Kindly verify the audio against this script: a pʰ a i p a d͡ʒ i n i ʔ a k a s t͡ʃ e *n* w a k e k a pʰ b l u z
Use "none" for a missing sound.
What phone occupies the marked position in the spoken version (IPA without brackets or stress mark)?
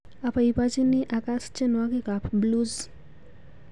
n